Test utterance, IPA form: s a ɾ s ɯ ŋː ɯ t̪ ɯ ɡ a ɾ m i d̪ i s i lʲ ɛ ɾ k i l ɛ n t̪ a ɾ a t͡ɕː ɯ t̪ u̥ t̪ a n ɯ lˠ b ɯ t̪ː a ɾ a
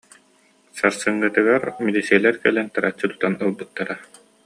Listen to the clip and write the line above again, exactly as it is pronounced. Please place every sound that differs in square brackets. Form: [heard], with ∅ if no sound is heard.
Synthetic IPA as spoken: s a ɾ s ɯ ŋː ɯ t̪ ɯ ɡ a ɾ m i d̪ i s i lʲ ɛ ɾ k [ɛ] l ɛ n t̪ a ɾ a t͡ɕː ɯ t̪ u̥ t̪ a n ɯ lˠ b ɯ t̪ː a ɾ a